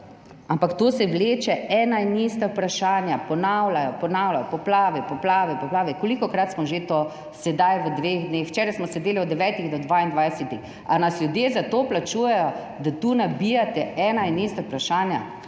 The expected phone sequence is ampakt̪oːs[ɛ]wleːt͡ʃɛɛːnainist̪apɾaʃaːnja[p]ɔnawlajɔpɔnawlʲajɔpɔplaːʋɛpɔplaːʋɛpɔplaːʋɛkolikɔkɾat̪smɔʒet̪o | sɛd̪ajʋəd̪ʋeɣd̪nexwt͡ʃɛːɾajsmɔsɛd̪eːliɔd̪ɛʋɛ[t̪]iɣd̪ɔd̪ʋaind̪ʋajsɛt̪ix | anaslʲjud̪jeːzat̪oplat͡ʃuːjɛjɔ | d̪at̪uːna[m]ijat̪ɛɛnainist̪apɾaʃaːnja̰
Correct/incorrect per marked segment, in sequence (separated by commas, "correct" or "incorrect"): correct, correct, correct, incorrect